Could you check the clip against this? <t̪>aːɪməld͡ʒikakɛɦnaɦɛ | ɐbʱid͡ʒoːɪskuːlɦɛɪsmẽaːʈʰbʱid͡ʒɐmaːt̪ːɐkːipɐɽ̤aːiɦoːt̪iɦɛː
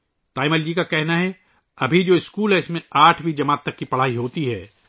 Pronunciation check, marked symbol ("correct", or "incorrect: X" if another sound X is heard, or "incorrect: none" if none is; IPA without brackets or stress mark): correct